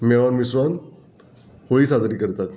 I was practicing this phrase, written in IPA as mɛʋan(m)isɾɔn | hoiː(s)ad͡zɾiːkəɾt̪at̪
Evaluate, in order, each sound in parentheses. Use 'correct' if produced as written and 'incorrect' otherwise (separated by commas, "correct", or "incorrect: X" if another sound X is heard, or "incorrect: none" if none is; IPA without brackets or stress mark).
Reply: correct, correct